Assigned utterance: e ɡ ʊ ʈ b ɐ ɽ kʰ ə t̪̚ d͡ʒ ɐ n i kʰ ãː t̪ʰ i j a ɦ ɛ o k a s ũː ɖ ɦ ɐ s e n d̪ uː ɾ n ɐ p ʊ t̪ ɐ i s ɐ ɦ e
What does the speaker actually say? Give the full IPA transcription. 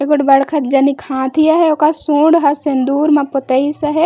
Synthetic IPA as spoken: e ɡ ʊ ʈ b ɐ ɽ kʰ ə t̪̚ d͡ʒ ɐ n i kʰ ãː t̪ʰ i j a ɦ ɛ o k a s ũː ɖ ɦ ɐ s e n d̪ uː ɾ m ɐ p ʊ t̪ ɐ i s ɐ ɦ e